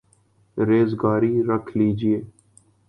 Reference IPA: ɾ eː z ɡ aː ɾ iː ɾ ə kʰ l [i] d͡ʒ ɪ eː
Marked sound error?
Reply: yes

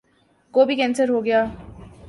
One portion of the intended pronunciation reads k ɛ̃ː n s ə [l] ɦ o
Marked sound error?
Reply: yes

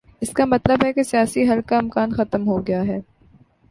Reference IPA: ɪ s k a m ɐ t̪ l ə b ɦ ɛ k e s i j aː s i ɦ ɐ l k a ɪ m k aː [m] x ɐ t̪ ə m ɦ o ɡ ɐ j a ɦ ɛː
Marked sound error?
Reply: yes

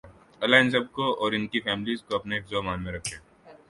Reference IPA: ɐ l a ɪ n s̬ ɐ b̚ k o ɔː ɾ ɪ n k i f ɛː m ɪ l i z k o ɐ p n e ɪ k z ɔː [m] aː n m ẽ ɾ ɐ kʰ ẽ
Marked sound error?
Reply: no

